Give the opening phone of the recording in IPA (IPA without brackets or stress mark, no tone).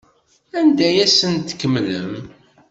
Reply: æ